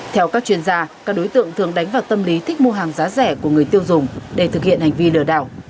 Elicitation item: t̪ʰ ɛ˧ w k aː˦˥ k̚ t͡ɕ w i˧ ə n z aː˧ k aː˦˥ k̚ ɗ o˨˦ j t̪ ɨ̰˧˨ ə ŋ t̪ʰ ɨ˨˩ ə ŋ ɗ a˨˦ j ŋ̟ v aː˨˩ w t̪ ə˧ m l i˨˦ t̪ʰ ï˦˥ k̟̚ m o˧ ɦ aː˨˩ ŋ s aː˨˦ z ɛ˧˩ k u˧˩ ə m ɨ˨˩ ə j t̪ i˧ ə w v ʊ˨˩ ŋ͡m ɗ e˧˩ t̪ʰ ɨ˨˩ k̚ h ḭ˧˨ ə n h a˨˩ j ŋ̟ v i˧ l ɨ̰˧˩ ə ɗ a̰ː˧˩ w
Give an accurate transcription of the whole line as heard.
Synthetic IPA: t̪ʰ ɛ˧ w k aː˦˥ k̚ t͡ɕ w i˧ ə n z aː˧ k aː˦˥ k̚ ɗ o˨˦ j t̪ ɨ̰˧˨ ə ŋ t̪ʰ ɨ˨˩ ə ŋ ɗ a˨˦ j ŋ̟ v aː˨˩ w t̪ ə˧ m l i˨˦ t̪ʰ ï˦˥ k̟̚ m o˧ ɦ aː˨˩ ŋ z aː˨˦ z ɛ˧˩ k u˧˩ ə ŋ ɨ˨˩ ə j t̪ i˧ ə w z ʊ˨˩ ŋ͡m ɗ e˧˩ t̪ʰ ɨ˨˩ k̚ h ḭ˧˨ ə n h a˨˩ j ŋ̟ v i˧ l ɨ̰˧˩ ə ɗ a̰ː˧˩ w

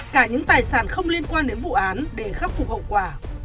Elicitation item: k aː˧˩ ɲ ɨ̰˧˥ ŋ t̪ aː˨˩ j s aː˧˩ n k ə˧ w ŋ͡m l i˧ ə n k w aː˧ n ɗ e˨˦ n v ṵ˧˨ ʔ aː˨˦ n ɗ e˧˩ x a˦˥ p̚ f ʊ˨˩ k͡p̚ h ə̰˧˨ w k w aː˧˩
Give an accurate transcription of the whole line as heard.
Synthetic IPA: k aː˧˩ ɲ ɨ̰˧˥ ŋ t̪ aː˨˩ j s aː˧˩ n x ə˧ w ŋ͡m l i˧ ə n k w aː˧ n ɗ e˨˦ n v ṵ˧˨ ʔ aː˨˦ n ɗ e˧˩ x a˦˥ p̚ f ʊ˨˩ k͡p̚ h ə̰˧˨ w k w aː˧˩

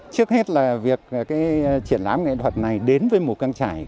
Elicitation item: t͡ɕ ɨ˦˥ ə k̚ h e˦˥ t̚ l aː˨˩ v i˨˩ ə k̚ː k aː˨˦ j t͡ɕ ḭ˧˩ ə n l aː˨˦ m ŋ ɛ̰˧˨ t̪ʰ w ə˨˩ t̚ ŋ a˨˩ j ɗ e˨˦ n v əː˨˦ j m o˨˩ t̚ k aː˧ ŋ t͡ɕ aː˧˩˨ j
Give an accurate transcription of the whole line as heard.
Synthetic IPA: t͡ɕ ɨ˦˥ ə k̚ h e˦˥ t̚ l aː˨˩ v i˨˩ ə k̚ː k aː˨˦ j t͡ɕ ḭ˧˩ ə n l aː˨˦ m ŋ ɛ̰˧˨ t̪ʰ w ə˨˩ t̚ n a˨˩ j ɗ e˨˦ n v əː˨˦ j m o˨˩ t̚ k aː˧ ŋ t͡ɕ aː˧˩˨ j

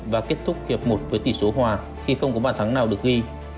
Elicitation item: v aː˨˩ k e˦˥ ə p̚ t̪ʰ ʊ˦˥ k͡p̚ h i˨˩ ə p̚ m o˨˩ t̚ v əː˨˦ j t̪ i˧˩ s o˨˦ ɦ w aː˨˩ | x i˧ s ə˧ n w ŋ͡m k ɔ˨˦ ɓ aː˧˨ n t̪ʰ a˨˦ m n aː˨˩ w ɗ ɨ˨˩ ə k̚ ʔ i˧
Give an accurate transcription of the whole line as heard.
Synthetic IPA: v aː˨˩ k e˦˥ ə t̚ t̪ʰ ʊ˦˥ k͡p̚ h i˨˩ ə p̚ m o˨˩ t̚ v əː˨˦ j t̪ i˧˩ s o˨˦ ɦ w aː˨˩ | x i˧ x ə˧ w ŋ͡m k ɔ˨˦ ɓ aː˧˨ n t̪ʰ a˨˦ ŋ n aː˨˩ w ɗ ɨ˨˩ ə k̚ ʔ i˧

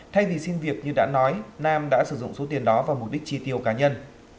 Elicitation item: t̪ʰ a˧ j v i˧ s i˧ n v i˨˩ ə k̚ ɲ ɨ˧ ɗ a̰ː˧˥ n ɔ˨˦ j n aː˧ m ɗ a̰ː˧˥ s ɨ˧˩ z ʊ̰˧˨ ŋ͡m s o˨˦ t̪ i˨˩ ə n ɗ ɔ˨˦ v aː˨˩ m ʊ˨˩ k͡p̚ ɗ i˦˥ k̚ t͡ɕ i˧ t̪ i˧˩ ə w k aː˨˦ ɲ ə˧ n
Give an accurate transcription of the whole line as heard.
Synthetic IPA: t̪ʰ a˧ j v i˨˩ s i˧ n v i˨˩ ə k̚ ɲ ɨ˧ ɗ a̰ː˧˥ n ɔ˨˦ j n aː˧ m ɗ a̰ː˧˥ s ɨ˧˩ z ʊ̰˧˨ ŋ͡m s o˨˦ t̪ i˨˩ ə n ɗ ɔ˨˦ v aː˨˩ m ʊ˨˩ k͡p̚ ɗ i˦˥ k̚ t͡ɕ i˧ t̪ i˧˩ ə w k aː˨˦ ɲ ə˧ n

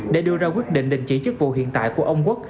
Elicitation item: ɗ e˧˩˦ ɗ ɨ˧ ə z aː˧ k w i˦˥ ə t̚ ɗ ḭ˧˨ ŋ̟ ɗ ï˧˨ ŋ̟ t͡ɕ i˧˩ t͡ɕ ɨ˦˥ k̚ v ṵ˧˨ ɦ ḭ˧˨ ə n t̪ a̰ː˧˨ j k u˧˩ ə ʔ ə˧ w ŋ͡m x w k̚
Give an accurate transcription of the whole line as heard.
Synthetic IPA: ɗ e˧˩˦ ɗ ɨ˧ ə z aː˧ k w i˦˥ ə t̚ ɗ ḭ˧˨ ŋ̟ ɗ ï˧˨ ŋ̟ t͡ɕ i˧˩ t͡ɕ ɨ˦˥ k̚ v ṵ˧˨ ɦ ḭ˧˨ ə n t̪ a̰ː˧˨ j k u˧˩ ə ʔ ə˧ w ŋ͡m k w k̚

